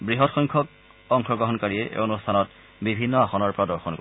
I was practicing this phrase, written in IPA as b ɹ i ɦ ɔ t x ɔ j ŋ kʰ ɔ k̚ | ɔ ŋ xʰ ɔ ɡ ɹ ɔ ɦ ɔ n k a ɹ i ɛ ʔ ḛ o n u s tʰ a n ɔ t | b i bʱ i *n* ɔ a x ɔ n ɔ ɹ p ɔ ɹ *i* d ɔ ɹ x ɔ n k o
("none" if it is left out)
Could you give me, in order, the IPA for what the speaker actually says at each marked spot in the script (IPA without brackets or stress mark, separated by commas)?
nː, a